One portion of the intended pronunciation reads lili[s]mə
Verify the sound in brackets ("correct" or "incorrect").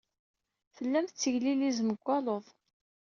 incorrect